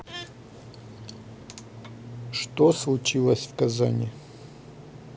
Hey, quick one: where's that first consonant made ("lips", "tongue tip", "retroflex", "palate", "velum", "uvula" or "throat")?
retroflex